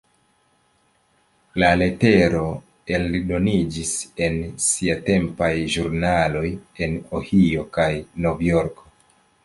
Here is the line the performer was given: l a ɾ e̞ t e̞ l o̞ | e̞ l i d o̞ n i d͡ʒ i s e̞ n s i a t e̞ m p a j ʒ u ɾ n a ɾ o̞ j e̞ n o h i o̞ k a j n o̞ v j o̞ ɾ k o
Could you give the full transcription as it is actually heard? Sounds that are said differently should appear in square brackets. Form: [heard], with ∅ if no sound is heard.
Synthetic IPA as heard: l a [l] e̞ t e̞ [ɾ] o̞ | e̞ l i d o̞ n i d͡ʒ i s e̞ n s i a t e̞ m p a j ʒ u ɾ n a [l] o̞ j e̞ n o h i o̞ k a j n o̞ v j o̞ ɾ k o